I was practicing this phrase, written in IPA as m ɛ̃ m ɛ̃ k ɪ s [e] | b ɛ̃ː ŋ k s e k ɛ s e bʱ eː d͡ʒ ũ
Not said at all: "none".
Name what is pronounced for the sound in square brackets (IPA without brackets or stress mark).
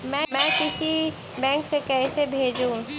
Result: i